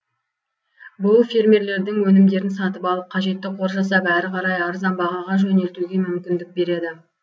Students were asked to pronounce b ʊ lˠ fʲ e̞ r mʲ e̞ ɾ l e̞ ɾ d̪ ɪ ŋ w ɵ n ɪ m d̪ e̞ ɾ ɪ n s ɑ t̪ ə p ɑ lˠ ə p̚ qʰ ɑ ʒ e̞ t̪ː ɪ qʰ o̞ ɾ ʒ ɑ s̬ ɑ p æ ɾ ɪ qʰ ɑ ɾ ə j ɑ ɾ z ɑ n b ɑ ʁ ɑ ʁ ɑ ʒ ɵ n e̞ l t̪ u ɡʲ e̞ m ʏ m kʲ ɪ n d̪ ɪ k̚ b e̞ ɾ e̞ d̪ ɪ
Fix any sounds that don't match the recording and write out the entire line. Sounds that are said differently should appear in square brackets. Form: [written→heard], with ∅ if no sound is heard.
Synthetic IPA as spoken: b ʊ lˠ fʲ e̞ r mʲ e̞ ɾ l e̞ ɾ d̪ ɪ ŋ w ɵ n ɪ m d̪ e̞ ɾ ɪ n s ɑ t̪ ə p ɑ lˠ ə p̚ qʰ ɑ ʒ e̞ t̪ː ɪ qʰ o̞ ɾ ʒ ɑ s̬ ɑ p æ ɾ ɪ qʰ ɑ ɾ [ə→ɑ] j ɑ ɾ z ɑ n b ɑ ʁ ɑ ʁ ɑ ʒ ɵ n e̞ l t̪ u ɡʲ e̞ m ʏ m kʲ ɪ n d̪ ɪ k̚ b e̞ ɾ e̞ d̪ ɪ